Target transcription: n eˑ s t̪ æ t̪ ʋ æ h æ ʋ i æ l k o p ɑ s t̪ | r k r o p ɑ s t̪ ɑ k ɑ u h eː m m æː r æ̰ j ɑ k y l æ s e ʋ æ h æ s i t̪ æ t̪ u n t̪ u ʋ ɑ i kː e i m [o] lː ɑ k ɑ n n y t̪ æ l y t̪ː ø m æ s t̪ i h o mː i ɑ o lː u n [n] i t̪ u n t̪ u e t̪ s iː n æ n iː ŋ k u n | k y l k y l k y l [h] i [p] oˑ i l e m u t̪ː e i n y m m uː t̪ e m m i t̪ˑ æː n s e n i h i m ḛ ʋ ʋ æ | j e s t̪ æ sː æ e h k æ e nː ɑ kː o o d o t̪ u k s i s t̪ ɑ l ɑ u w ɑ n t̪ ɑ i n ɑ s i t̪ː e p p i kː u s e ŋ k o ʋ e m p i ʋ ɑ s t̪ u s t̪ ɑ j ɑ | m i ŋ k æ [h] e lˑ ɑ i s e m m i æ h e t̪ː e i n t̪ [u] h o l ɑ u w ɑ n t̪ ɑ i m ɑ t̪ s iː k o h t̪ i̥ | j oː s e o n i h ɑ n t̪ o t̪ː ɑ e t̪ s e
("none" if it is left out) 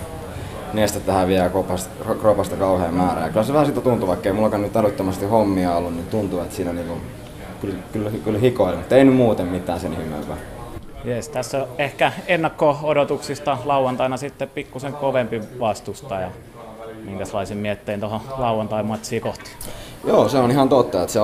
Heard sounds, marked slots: u, n, h, k, s, o

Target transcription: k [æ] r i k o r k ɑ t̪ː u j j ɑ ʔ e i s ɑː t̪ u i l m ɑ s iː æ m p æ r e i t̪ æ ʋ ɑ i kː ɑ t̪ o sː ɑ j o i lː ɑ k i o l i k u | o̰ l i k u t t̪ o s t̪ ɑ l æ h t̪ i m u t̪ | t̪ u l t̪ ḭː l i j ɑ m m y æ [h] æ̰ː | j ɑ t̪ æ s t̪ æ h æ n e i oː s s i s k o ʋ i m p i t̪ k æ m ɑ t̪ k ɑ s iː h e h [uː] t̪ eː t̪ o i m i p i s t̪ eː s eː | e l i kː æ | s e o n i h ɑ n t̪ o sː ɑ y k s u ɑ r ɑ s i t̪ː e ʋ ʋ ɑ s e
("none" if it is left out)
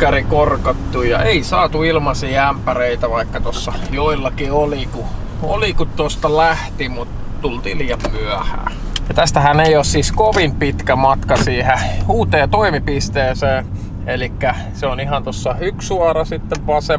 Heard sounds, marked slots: æ, h, uː

